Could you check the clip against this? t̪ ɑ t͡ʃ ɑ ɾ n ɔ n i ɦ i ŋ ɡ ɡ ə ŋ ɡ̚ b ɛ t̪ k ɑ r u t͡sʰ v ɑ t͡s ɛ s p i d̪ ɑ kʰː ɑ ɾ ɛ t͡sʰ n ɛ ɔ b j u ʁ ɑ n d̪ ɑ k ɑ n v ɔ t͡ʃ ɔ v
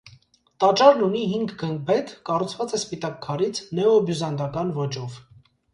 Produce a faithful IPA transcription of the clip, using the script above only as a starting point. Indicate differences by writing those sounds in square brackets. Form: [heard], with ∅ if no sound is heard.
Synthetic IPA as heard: t̪ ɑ t͡ʃ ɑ ɾ n [u] n i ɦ i ŋ ɡ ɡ ə ŋ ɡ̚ b ɛ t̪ k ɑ r u t͡sʰ v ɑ t͡s ɛ s p i [t̪] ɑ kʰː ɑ ɾ [i] t͡sʰ n ɛ ɔ b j u [z] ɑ n d̪ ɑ k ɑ n v ɔ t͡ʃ ɔ v